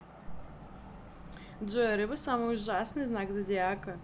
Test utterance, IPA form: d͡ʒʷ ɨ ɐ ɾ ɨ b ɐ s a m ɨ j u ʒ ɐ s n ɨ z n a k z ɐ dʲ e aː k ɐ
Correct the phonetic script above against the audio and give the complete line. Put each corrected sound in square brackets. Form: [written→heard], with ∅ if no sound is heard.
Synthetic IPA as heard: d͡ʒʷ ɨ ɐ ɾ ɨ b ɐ s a m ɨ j u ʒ [ɐ→a] s n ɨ z n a k z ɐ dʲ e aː k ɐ

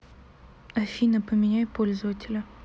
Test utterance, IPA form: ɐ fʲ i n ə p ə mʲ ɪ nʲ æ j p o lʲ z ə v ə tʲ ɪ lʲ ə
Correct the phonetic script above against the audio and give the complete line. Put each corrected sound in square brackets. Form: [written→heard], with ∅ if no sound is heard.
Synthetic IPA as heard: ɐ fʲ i n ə p ə mʲ ɪ nʲ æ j p o lʲ z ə v ə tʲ ɪ lʲ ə

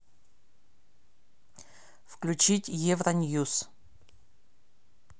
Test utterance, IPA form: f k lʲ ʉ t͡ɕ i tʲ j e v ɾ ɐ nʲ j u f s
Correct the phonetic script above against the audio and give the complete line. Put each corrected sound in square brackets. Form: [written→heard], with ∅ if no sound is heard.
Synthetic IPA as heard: f k lʲ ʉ t͡ɕ i tʲ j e v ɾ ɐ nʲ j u [f→∅] s

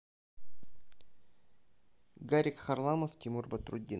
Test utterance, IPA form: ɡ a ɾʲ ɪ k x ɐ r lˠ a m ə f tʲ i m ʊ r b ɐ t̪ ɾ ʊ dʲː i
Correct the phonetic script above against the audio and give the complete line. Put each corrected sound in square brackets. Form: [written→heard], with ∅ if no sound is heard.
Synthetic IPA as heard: ɡ a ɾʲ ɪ k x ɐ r lˠ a m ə f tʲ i m [ʊ→u] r b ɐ t̪ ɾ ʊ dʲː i

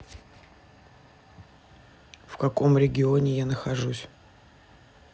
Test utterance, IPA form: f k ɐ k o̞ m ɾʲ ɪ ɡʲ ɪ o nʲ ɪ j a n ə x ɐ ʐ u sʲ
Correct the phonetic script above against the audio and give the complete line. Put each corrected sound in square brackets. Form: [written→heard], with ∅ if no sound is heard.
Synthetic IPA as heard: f k ɐ k o̞ m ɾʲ ɪ ɡʲ ɪ o nʲ ɪ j a n ə x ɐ ʐ u sʲ

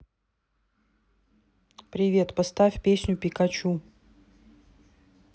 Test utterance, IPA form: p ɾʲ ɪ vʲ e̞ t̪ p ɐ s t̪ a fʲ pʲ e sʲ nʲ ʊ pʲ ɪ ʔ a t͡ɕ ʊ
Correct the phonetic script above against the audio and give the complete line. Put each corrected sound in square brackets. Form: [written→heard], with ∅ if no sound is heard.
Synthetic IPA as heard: p ɾʲ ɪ vʲ e̞ t̪ p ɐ s t̪ a fʲ pʲ e sʲ nʲ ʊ pʲ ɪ [ʔ→k] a t͡ɕ [ʊ→u]

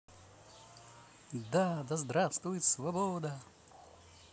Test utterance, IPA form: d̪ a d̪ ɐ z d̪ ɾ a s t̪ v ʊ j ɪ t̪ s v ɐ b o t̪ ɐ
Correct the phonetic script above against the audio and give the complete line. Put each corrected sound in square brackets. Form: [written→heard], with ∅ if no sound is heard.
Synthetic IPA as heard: d̪ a d̪ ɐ z d̪ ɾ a s t̪ v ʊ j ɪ t̪ s v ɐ b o [t̪→d̪] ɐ

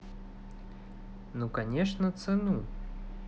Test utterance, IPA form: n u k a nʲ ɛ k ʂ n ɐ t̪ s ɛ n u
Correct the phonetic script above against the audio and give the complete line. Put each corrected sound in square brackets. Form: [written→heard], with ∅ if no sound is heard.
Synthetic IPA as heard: n u k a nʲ ɛ [k→∅] ʂ n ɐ t̪ s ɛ n u

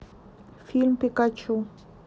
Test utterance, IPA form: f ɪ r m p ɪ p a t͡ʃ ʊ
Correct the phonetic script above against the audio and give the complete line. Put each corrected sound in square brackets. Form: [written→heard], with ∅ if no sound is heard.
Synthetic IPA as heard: f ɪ [r→l] m p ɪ [p→k] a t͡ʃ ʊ

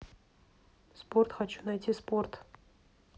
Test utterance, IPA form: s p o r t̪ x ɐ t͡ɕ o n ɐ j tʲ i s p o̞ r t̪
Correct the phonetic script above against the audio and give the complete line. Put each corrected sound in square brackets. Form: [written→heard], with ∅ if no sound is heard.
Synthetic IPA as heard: s p o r t̪ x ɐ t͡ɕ [o→u] n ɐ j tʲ i s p o̞ r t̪

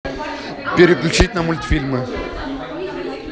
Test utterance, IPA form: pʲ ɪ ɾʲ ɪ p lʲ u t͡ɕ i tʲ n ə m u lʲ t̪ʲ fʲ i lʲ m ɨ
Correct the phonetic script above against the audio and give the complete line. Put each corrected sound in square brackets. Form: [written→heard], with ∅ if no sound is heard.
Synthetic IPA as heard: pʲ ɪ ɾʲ ɪ [p→k] lʲ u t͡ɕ i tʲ n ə m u lʲ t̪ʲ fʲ i lʲ m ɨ

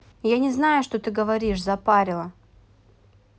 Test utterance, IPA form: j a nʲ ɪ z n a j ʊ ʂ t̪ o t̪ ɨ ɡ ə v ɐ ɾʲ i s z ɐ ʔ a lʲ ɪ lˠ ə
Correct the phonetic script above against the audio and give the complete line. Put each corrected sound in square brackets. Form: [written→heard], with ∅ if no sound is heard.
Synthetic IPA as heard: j a nʲ ɪ z n a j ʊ ʂ t̪ o t̪ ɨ ɡ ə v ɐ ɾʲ i [s→ʂ] z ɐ [ʔ→p] a [lʲ→ɾʲ] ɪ lˠ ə

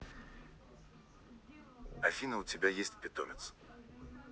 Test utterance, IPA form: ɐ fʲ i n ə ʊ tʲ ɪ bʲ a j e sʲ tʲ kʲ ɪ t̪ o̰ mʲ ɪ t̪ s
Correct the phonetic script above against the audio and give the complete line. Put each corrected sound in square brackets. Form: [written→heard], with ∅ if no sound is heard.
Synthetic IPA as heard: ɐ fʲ i n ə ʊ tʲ ɪ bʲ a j e sʲ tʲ [kʲ→pʲ] ɪ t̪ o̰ mʲ ɪ t̪ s

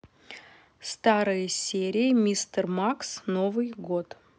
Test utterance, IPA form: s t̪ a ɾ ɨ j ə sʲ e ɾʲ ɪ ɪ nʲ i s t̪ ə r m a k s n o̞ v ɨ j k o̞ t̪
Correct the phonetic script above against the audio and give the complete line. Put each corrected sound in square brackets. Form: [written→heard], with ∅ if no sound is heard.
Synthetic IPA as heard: s t̪ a ɾ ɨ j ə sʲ e ɾʲ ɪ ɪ [nʲ→mʲ] i s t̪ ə r m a k s n o̞ v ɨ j [k→ɡ] o̞ t̪

